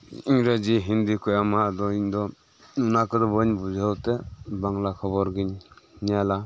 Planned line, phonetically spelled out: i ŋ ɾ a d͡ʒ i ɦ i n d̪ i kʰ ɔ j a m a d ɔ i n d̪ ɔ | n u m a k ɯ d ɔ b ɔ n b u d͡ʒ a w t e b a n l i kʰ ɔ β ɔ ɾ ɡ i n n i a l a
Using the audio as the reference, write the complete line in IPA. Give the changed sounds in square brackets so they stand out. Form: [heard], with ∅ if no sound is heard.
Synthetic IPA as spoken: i ŋ ɾ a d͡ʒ i ɦ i n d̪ i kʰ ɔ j a m a d ɔ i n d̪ ɔ | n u [n] a k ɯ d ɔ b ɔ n b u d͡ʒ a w t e b a [ŋ] l [a] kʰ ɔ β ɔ ɾ ɡ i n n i a l a